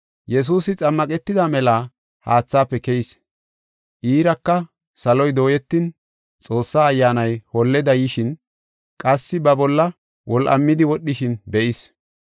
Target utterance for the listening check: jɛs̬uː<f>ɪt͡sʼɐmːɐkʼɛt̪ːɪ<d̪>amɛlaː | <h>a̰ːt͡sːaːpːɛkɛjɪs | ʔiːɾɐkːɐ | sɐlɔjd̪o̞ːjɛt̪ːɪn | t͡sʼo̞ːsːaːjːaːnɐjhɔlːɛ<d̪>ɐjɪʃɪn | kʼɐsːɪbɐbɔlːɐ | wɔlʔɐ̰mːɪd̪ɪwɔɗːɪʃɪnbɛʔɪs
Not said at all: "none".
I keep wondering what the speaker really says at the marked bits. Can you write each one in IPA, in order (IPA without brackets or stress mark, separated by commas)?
s, d̪, h, d̪